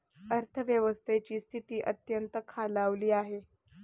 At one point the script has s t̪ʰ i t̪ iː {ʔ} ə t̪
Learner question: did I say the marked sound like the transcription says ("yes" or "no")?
yes